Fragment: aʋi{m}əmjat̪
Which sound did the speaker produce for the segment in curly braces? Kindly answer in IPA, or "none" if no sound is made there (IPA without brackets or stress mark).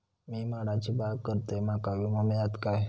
m